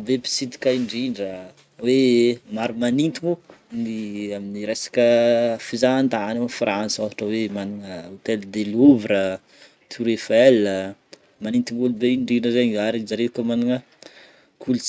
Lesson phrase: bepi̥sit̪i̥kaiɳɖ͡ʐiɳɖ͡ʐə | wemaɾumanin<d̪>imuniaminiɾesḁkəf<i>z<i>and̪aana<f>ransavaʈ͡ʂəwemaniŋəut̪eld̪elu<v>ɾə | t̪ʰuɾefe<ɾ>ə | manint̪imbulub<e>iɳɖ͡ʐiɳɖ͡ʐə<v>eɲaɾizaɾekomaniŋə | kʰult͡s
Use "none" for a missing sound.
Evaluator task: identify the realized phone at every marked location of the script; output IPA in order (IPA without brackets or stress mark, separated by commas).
t̪, i, a, f, v, l, e, z